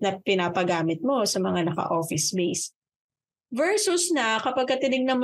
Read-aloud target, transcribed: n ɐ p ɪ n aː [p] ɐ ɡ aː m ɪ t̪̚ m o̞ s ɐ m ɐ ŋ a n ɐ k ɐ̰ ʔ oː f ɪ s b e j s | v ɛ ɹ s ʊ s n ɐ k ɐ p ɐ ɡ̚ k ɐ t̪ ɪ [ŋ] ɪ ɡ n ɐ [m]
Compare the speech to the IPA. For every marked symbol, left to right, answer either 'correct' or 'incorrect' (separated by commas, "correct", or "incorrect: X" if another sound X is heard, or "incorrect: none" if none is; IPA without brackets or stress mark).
correct, incorrect: n, correct